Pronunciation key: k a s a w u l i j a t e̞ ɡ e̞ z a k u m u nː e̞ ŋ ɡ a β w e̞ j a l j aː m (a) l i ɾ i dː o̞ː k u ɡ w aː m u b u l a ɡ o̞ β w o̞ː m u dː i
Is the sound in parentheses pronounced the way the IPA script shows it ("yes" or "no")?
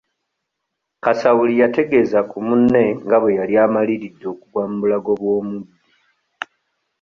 yes